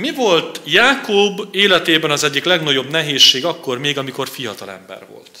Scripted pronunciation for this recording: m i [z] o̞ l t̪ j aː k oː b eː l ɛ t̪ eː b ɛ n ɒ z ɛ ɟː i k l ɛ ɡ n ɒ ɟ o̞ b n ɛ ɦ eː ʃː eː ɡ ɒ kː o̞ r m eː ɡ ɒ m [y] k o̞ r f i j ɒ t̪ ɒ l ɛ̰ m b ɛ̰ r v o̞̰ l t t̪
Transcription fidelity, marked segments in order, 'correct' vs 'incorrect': incorrect: v, incorrect: i

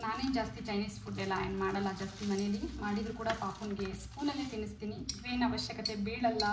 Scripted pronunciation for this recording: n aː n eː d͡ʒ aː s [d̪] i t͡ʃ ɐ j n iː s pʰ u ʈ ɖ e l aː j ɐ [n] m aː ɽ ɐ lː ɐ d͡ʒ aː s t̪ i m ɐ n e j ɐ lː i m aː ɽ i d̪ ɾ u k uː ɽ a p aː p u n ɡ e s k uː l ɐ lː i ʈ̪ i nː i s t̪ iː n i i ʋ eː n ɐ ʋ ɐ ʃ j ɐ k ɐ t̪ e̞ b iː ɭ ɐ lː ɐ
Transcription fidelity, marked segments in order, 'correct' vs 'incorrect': incorrect: t̪, correct

